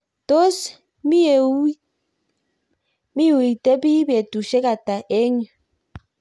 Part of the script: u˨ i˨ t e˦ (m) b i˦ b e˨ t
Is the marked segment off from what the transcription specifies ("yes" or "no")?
yes